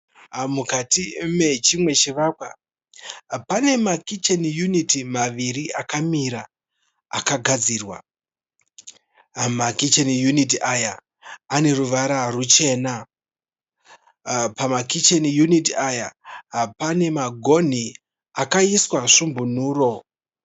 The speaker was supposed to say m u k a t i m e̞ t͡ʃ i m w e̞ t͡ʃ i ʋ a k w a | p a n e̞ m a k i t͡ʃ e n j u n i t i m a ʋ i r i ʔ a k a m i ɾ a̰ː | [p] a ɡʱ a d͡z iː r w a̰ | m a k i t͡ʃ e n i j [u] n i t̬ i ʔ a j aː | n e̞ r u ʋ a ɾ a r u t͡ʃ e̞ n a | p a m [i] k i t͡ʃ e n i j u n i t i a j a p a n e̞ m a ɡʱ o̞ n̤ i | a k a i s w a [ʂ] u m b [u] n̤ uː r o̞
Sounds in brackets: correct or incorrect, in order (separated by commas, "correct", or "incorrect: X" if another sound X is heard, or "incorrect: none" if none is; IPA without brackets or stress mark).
incorrect: k, correct, incorrect: a, correct, correct